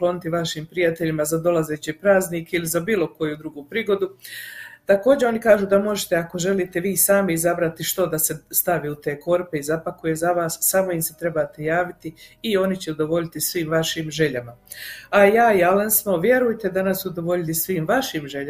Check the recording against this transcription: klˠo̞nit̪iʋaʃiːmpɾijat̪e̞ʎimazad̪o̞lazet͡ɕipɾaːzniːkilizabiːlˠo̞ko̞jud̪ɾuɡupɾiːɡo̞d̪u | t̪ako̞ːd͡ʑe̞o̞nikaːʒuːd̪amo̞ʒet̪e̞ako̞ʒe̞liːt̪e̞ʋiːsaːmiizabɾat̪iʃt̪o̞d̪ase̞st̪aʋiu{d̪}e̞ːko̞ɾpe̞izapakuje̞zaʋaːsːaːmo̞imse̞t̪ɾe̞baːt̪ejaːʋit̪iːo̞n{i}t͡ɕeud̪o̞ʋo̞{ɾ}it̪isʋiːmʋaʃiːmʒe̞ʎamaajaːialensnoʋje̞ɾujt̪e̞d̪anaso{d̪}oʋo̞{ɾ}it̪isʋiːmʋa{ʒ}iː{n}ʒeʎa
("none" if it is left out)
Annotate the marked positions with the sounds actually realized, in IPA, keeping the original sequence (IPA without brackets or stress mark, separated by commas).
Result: t̪, i, ʎ, d̪, ʎ, ʃ, m